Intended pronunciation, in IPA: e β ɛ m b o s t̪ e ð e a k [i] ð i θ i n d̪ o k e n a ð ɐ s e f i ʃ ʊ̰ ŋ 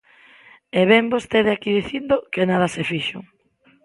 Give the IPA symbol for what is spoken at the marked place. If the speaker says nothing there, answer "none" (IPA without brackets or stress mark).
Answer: i